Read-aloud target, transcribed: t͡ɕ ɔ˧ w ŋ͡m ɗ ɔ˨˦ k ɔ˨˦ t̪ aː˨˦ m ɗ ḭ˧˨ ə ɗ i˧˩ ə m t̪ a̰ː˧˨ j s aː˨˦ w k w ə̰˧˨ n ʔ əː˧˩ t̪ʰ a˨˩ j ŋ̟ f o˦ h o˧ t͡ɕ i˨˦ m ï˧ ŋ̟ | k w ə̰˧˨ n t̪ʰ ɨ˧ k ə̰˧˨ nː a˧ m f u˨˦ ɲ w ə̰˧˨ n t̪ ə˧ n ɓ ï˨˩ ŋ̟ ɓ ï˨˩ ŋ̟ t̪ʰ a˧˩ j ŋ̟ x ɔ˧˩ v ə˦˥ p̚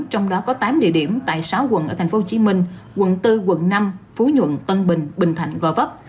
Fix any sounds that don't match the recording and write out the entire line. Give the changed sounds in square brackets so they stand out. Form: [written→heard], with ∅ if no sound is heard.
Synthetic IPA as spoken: t͡ɕ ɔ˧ w ŋ͡m ɗ ɔ˨˦ k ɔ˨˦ t̪ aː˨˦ m ɗ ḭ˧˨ ə ɗ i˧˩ ə m t̪ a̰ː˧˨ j s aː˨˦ w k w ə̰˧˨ n ʔ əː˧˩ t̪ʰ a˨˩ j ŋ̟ f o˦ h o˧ t͡ɕ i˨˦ m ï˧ ŋ̟ | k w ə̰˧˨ n [t̪ʰ→t̪] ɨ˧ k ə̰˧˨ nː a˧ m f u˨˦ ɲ w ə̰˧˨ n t̪ ə˧ n ɓ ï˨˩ ŋ̟ ɓ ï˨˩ ŋ̟ t̪ʰ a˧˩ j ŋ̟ [x→ɣ] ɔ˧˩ v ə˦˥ p̚